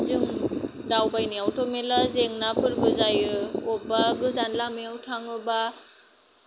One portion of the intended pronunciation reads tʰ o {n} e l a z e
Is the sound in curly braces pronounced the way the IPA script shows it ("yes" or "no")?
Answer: no